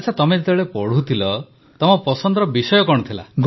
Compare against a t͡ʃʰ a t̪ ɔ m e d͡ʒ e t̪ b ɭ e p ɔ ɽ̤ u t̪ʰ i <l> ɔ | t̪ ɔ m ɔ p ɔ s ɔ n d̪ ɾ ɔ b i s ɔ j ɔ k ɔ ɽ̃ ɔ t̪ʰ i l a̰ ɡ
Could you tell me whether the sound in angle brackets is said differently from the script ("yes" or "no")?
no